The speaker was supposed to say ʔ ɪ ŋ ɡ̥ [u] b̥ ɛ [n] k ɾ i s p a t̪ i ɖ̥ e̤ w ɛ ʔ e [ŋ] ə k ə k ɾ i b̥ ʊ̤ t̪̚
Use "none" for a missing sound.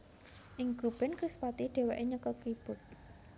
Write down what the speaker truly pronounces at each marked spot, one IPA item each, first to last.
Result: u, n, ɲ

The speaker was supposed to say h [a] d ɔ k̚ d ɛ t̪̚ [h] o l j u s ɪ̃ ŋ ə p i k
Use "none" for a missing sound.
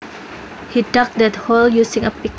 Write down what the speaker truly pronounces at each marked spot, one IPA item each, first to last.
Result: i, h

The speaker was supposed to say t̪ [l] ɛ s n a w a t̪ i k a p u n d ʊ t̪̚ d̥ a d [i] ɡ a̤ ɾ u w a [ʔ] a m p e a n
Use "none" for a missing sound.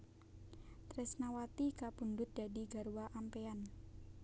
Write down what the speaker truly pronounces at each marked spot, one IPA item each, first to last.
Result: ɾ, i, ʔ

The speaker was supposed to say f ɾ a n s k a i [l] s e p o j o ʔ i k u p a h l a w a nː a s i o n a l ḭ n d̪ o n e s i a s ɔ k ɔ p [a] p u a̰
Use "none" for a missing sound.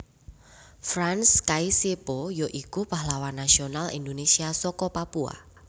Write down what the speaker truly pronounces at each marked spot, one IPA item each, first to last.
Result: none, a

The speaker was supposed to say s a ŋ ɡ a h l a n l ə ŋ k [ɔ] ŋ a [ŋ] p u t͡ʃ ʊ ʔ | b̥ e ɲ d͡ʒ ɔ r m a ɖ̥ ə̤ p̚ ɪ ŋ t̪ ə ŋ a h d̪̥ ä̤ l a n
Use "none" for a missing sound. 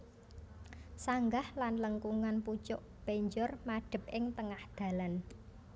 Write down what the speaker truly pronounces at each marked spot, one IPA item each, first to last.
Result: u, n

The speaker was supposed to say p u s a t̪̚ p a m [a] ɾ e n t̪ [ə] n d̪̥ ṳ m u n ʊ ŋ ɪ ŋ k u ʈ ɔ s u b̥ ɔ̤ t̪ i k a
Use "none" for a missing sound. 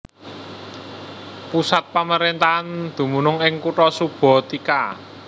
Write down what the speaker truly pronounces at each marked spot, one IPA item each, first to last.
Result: ə, a

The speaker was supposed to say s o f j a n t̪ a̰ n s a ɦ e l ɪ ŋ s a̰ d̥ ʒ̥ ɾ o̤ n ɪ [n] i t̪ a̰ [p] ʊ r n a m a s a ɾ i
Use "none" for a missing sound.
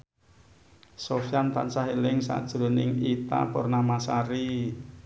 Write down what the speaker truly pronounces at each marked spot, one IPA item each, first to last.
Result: ŋ, p

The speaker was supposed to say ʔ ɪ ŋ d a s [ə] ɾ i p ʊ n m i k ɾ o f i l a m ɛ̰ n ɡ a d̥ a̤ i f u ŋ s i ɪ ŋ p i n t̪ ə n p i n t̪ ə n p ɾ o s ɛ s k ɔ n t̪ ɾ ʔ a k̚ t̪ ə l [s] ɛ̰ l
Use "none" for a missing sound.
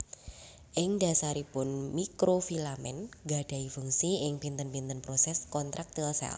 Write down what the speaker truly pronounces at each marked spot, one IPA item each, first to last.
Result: a, s

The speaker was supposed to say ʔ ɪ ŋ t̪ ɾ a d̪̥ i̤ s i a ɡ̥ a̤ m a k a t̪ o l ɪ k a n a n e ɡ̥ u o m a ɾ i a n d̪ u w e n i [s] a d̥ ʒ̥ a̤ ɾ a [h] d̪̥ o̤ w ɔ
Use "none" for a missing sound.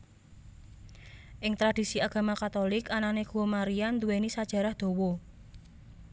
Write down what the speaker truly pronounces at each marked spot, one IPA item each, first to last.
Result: s, h

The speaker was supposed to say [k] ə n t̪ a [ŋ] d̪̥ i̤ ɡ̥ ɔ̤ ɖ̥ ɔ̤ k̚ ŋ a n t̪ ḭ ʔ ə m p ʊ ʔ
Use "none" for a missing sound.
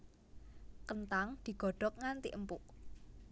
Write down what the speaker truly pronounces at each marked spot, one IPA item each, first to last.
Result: k, ŋ

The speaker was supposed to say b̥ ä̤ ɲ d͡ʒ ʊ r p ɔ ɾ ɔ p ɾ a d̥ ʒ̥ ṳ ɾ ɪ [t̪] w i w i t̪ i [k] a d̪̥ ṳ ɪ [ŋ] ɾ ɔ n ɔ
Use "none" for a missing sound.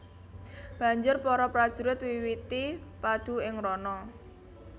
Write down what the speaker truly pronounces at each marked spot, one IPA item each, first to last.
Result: t̪, p, ŋ

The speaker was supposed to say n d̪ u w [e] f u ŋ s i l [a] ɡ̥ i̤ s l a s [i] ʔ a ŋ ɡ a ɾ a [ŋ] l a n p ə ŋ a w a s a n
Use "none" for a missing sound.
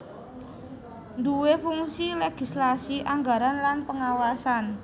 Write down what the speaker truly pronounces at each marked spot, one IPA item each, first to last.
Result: e, e, i, n

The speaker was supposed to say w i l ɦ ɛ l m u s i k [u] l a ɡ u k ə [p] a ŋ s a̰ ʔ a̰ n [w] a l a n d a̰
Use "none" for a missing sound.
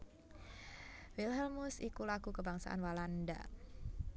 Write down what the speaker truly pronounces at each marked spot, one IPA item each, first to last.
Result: u, b, w

